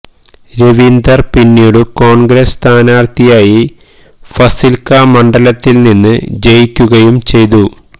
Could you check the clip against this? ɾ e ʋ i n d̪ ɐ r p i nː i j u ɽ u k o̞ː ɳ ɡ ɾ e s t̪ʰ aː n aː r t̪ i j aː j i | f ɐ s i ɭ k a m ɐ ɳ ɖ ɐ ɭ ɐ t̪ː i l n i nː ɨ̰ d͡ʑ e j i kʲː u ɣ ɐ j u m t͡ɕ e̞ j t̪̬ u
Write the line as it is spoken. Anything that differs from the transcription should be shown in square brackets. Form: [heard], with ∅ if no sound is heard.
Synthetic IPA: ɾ e ʋ i n d̪ ɐ r p i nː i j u ɽ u k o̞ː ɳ ɡ ɾ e s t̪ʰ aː n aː r t̪ i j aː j i | f ɐ s i [l] k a m ɐ ɳ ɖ ɐ [l] ɐ t̪ː i l n i nː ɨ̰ d͡ʑ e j i kʲː u ɣ ɐ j u m t͡ɕ e̞ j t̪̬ u